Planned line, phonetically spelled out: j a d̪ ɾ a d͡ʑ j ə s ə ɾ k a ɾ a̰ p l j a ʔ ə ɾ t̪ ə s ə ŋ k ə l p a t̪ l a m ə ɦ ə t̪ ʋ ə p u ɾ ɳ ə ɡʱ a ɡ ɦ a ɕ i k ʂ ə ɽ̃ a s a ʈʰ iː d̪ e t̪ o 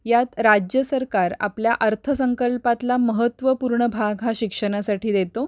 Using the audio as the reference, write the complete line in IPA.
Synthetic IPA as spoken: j a t̪ ɾ a d͡ʑ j ə s ə ɾ k a ɾ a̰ p l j a ʔ ə ɾ t̪ʰ ə s ə ŋ k ə l p a t̪ l a m ə ɦ ə t̪ ʋ ə p u ɾ ɳ ə bʱ a ɡ ɦ a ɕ i k ʂ ə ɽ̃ a s a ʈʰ iː d̪ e t̪ o